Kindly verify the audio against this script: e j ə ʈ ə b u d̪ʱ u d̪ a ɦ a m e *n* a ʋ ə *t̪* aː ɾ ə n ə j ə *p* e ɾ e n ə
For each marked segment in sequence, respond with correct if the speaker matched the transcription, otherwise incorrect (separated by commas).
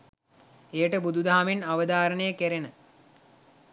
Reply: correct, incorrect, incorrect